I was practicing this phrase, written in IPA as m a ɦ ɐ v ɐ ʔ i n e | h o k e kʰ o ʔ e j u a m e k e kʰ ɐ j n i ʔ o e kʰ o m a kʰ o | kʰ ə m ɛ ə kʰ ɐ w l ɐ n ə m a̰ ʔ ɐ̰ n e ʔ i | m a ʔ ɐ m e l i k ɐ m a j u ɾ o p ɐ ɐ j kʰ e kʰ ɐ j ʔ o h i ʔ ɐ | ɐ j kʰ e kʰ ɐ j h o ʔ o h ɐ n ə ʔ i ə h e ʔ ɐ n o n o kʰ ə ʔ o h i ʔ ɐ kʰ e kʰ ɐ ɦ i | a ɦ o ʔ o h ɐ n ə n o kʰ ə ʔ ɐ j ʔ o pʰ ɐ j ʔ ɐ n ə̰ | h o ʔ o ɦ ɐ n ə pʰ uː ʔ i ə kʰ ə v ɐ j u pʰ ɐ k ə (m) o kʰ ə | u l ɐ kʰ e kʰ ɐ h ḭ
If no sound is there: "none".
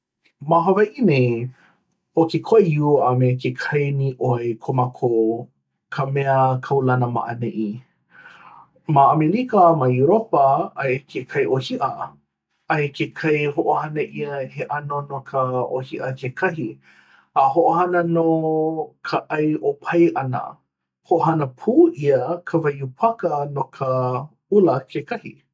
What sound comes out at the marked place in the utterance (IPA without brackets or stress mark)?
n